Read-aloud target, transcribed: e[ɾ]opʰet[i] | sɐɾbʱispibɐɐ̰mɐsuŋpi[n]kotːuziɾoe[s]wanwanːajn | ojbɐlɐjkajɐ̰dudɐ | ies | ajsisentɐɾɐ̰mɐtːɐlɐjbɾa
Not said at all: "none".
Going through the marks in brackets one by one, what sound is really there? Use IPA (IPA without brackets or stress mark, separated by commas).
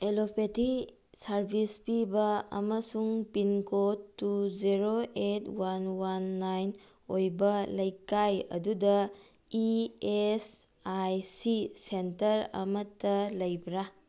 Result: l, i, n, t